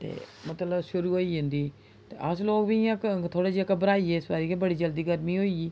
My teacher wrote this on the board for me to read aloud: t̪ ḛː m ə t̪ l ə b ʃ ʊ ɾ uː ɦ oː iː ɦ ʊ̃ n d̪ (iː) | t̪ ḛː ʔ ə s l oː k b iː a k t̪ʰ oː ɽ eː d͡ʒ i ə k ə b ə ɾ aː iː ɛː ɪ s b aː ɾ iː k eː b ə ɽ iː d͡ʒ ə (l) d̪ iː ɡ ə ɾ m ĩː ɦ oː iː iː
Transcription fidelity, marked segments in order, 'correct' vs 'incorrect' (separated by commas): correct, correct